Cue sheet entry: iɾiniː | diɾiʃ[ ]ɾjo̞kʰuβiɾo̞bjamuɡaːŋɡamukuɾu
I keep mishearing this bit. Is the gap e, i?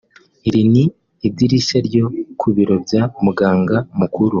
e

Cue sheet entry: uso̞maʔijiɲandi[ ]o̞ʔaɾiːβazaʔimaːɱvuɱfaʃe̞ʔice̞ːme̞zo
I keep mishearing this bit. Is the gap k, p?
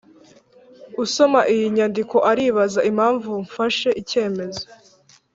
k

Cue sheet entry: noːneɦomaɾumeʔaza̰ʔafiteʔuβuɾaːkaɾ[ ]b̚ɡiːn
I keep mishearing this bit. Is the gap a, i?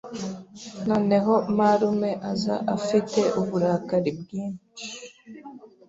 i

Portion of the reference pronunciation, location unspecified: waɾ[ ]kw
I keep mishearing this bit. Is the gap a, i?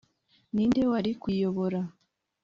i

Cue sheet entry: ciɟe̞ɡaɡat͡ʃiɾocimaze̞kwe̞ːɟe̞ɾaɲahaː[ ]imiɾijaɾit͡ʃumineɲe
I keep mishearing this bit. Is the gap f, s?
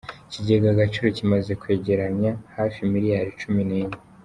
f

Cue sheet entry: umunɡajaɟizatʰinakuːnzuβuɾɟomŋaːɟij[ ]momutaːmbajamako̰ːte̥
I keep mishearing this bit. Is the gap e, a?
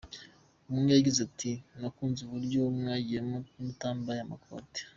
e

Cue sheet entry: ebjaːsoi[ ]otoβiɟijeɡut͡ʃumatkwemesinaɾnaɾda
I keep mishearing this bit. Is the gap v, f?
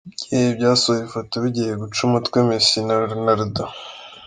f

